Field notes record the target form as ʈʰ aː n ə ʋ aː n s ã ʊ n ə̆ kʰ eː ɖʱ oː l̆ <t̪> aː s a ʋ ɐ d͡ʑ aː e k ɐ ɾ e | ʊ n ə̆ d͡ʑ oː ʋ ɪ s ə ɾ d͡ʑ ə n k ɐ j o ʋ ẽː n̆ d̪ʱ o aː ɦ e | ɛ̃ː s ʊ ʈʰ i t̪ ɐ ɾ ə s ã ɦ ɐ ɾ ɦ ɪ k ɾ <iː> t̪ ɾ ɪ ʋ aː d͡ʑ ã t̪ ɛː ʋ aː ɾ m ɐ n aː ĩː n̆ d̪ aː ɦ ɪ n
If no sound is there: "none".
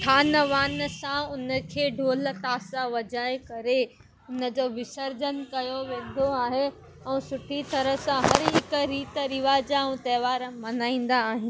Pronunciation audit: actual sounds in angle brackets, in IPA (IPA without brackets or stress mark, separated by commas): t̪, iː